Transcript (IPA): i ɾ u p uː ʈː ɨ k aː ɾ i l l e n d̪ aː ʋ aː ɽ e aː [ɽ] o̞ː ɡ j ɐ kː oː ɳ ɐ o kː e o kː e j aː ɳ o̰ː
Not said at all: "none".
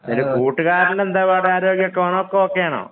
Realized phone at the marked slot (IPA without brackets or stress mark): ɾ